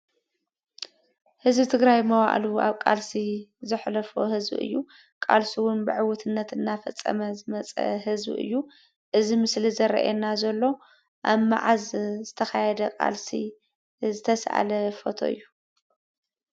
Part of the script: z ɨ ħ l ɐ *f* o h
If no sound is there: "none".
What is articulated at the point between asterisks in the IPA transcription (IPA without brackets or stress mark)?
f